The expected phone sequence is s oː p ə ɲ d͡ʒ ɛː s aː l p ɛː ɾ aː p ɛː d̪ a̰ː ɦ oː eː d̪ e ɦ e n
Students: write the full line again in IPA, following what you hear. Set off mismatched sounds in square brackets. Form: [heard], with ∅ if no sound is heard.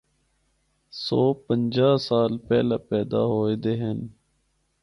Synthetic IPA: s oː p ə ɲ d͡ʒ [aː] s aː l p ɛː [l] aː p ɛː d̪ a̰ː ɦ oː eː d̪ e ɦ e n